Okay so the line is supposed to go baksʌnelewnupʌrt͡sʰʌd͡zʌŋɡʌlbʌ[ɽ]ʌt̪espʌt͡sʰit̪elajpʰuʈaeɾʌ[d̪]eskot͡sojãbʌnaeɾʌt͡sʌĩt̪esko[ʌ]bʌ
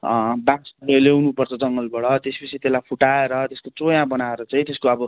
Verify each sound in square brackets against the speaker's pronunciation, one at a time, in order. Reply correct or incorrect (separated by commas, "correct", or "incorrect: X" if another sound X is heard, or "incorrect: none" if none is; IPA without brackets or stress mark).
correct, incorrect: t̪, correct